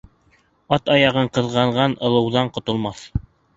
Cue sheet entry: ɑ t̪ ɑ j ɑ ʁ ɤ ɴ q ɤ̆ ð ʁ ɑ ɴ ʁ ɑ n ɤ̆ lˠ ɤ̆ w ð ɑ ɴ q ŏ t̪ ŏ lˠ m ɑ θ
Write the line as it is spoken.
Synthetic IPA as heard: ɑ t̪ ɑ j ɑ ʁ ɤ ɴ q ɤ̆ ð ʁ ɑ ɴ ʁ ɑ n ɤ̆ lˠ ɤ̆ w ð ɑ ɴ q ŏ t̪ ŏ lˠ m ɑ θ